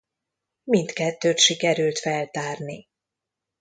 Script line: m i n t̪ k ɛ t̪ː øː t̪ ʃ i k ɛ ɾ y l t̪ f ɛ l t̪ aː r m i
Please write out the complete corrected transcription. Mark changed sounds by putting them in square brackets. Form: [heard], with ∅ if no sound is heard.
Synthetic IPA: m i n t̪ k ɛ t̪ː øː t̪ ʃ i k ɛ ɾ y l t̪ f ɛ l t̪ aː r [n] i